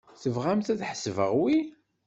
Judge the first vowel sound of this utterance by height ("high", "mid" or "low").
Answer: mid